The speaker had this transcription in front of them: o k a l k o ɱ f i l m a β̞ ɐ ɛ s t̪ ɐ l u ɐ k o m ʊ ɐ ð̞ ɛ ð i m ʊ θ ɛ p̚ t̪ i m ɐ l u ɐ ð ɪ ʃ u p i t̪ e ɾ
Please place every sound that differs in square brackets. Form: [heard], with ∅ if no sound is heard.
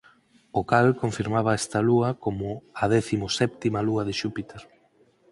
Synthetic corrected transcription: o k a l k o ɱ f i [ɾ] m a β̞ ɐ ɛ s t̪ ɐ l u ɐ k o m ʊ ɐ ð̞ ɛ [θ] i m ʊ [s] ɛ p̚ t̪ i m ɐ l u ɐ ð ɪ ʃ u p i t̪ e ɾ